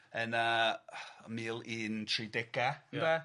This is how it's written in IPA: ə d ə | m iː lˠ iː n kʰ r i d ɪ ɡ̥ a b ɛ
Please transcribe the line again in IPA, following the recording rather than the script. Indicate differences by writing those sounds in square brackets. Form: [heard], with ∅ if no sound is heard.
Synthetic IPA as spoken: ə [n] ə | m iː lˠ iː n [tʰ] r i d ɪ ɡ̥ a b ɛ